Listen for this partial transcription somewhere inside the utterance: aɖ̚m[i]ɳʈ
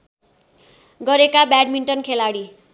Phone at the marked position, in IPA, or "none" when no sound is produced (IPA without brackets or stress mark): i